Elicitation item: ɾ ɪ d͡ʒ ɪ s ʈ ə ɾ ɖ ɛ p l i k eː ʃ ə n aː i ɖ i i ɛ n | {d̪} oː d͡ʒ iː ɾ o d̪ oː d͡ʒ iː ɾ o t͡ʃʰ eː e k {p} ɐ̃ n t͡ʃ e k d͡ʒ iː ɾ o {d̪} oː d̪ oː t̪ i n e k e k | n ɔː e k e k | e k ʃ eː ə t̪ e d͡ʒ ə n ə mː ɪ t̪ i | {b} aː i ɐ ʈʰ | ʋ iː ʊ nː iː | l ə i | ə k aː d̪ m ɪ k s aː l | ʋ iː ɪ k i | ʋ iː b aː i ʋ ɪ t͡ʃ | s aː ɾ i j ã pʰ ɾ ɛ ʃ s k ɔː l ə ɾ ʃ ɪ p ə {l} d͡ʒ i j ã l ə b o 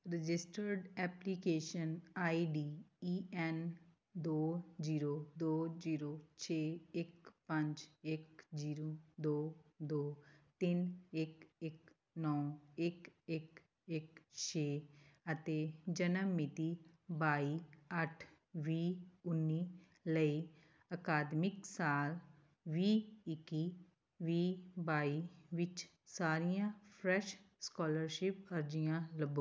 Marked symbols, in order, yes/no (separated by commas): yes, yes, yes, yes, no